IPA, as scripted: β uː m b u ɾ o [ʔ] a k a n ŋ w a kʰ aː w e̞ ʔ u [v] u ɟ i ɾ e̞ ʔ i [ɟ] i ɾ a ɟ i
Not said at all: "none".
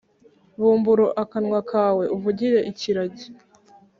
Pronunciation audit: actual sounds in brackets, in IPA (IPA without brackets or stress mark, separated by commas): ʔ, v, c